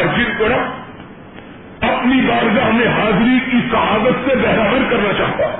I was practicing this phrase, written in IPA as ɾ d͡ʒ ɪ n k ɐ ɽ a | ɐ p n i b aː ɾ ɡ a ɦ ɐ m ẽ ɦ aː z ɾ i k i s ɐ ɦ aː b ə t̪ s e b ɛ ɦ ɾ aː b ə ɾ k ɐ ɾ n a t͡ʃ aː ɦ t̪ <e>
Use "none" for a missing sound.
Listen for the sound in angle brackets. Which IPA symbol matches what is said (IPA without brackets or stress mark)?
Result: a